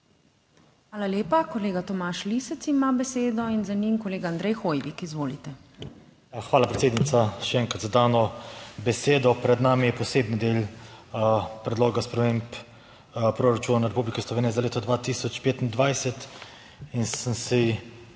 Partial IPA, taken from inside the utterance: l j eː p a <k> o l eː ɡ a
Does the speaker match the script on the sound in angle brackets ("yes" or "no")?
yes